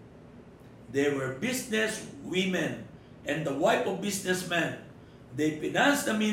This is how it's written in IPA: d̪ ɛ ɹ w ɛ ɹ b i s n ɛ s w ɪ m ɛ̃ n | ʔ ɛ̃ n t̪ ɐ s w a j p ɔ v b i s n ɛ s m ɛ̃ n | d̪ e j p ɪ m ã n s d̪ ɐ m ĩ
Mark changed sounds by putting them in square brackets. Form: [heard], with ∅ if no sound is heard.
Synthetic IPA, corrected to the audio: d̪ ɛ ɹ w ɛ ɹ b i s n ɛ s w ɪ m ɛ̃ n | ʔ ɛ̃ n [d̪] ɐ [∅] w a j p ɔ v b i s n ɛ s m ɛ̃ n | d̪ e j p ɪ [n] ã n s d̪ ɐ m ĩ